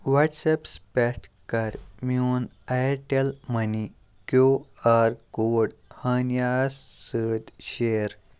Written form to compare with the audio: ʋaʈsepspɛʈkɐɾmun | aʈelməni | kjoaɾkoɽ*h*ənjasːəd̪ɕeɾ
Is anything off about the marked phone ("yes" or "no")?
no